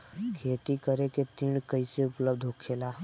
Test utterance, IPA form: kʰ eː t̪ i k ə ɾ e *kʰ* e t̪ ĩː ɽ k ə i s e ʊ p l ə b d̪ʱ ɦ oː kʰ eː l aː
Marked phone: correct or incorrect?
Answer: incorrect: k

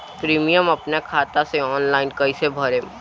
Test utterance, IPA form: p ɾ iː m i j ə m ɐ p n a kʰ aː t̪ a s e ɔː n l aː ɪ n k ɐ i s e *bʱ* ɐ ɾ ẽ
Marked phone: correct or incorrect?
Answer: correct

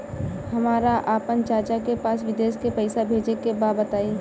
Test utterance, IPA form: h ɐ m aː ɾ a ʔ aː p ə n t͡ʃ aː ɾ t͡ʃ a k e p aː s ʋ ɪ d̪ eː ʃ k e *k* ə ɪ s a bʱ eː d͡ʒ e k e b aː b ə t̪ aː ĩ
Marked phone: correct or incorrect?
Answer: incorrect: p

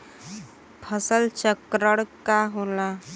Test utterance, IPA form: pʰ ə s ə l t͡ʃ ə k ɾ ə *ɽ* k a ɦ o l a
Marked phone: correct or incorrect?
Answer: correct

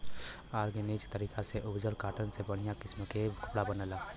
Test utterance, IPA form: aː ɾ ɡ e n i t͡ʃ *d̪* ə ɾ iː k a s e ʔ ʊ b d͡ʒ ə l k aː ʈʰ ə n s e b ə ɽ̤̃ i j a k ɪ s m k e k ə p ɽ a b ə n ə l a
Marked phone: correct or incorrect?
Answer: incorrect: t̪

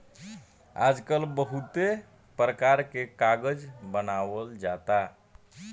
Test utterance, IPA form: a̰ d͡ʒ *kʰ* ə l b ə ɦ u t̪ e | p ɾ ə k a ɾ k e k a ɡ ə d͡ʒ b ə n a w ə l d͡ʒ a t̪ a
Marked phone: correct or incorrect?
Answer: incorrect: k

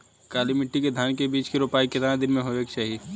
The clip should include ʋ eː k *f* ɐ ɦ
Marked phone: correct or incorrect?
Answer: incorrect: ʃ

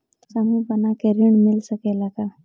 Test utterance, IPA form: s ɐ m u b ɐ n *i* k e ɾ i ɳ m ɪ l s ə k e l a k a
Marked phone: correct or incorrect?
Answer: incorrect: a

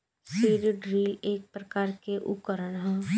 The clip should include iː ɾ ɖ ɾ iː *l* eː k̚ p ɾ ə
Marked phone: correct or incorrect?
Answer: correct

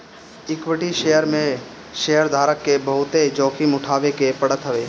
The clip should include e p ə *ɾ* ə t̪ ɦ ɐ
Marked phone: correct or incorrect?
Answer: incorrect: ɽ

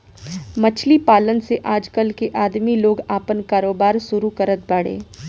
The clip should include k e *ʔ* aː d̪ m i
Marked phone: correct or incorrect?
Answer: correct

